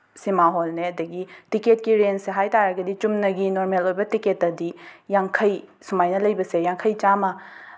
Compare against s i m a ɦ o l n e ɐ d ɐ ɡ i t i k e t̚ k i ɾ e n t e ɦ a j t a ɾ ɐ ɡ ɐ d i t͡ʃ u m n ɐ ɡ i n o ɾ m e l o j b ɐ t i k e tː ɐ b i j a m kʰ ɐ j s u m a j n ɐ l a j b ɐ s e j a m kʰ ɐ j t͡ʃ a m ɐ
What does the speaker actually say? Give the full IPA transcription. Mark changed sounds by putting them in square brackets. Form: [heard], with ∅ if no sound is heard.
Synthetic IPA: s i m a ɦ o l n e ɐ d ɐ ɡ i t i k e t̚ k i ɾ e n [s] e ɦ a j t a ɾ ɐ ɡ ɐ d i t͡ʃ u m n ɐ ɡ i n o ɾ m e l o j b ɐ t i k e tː ɐ [d] i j a [ŋ] kʰ ɐ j s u m a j n ɐ l [ɐ] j b ɐ s e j a [ŋ] kʰ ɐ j t͡ʃ a m ɐ